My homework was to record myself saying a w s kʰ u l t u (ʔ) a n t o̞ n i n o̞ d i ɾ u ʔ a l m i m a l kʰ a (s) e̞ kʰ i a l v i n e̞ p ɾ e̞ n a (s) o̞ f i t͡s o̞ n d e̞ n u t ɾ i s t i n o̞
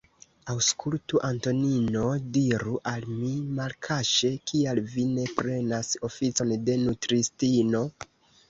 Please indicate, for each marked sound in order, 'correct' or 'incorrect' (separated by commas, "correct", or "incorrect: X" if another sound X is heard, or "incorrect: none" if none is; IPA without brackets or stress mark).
correct, incorrect: ʃ, correct